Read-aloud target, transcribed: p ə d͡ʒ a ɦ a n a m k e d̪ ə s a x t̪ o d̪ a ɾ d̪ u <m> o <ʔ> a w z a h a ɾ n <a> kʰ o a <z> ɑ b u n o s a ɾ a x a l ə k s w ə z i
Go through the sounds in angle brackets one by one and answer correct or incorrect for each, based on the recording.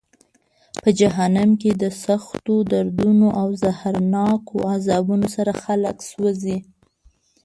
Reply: incorrect: n, correct, incorrect: ɑ, correct

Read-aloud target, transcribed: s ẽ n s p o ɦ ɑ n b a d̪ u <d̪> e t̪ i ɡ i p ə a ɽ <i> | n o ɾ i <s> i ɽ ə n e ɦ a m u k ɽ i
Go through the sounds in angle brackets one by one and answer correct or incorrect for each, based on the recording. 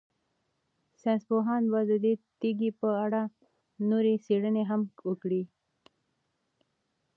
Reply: correct, incorrect: a, correct

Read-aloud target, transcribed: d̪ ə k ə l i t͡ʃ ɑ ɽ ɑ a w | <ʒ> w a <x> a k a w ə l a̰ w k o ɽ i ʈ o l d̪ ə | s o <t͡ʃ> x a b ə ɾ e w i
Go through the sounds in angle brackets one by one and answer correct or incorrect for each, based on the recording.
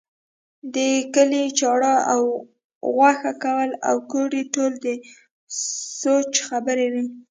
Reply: incorrect: ɣ, correct, correct

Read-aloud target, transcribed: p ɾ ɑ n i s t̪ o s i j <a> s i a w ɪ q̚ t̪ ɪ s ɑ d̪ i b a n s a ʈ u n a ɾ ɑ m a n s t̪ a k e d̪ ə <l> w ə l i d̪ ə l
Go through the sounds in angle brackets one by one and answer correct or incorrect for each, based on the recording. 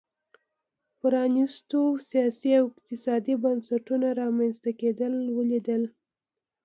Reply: incorrect: ɑ, correct

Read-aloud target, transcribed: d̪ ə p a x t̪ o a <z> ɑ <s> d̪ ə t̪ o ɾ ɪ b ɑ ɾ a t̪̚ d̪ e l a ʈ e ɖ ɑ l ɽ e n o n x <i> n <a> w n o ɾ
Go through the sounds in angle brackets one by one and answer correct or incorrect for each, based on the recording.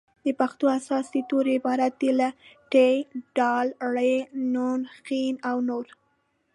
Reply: incorrect: s, correct, correct, correct

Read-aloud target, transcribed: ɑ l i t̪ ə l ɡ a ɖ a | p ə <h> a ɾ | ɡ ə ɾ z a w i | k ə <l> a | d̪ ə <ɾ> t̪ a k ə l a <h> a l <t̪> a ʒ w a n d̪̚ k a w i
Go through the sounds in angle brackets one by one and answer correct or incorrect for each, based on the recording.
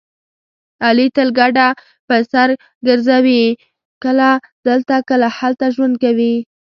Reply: incorrect: s, correct, incorrect: l, correct, correct

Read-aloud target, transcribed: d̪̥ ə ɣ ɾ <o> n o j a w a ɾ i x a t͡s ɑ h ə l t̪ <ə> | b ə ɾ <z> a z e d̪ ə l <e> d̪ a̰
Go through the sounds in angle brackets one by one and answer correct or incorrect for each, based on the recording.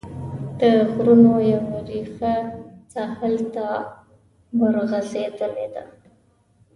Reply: incorrect: u, incorrect: a, incorrect: ɣ, correct

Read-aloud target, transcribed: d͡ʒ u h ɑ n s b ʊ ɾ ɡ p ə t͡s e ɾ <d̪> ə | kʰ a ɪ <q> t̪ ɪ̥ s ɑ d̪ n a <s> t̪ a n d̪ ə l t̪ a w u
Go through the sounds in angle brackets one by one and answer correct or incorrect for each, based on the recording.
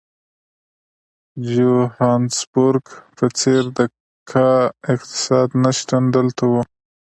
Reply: correct, correct, incorrect: ʃ

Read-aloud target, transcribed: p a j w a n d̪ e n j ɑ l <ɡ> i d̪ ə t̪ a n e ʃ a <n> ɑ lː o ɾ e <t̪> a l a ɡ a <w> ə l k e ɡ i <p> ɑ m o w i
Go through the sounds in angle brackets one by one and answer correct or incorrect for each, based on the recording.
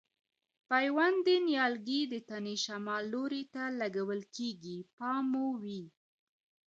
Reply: correct, incorrect: m, correct, correct, correct

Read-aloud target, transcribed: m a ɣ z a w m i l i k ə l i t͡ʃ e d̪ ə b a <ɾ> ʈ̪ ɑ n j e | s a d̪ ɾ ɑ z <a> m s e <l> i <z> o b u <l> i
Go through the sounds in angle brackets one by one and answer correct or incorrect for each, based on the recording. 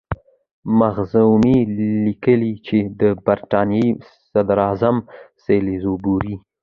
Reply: correct, correct, correct, correct, incorrect: ɾ

